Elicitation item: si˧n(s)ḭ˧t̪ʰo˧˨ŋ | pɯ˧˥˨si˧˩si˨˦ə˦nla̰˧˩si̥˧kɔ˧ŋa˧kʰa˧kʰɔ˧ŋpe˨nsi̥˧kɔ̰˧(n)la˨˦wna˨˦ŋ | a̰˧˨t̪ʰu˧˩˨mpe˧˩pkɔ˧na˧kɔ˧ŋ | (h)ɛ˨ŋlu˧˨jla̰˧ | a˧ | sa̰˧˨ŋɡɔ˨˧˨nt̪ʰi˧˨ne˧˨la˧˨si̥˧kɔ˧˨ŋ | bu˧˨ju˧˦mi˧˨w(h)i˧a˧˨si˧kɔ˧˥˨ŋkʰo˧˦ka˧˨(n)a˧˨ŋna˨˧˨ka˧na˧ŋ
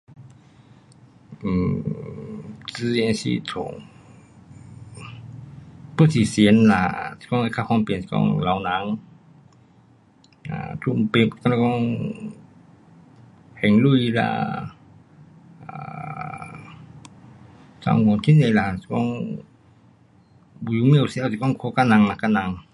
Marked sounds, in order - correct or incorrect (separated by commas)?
correct, incorrect, correct, incorrect, correct